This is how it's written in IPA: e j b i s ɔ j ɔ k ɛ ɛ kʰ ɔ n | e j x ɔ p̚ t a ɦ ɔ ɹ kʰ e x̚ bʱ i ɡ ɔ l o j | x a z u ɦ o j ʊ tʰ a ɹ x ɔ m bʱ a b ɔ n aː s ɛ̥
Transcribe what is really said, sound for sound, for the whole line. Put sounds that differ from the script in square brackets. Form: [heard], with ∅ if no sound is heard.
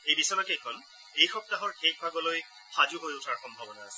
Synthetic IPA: e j b i s ɔ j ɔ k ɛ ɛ kʰ ɔ n | e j x ɔ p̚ t a ɦ ɔ ɹ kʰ e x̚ bʱ [a] ɡ ɔ l o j | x a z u ɦ o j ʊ tʰ a ɹ x ɔ m bʱ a b ɔ n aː s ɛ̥